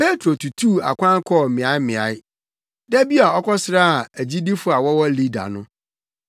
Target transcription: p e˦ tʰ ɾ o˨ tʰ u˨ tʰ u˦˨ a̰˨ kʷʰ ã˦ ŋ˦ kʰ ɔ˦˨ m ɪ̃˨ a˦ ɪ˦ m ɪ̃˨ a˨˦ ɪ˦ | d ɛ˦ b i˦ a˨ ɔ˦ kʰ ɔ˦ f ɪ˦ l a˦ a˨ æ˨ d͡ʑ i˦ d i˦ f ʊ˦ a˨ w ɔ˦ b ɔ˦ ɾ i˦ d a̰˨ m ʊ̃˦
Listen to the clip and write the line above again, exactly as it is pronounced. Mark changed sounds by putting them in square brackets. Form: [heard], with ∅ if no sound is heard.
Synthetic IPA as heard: p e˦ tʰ ɾ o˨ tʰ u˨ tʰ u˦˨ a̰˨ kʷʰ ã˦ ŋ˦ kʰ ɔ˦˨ m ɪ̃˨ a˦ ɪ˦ m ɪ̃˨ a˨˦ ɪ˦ | d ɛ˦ b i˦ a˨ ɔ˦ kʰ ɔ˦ [s] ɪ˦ [ɾ] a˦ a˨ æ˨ d͡ʑ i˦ d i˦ f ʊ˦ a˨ w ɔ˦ [w] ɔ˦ [l] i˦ d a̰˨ [n] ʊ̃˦